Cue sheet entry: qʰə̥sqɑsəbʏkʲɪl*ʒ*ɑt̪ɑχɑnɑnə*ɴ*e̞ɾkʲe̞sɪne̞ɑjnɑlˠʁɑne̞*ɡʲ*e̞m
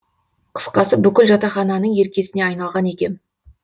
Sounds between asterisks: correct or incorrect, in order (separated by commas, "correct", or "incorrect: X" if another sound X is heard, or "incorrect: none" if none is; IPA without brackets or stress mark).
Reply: correct, correct, incorrect: kʲ